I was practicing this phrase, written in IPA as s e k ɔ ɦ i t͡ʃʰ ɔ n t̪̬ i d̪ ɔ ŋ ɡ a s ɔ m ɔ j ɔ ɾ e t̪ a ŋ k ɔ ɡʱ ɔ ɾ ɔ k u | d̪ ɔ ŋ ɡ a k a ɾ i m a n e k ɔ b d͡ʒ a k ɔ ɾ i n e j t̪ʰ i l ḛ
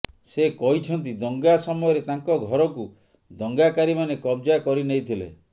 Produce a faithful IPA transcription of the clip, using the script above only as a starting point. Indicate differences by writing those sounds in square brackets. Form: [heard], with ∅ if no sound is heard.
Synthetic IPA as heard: s e k ɔ ɦ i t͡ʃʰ ɔ n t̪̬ i d̪ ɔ ŋ ɡ a s ɔ m ɔ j ɔ ɾ e t̪ a ŋ k ɔ ɡʱ ɔ ɾ ɔ k u | d̪ ɔ ŋ ɡ a k a ɾ i m a n e k ɔ b d͡ʒ a k ɔ ɾ i n e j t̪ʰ i l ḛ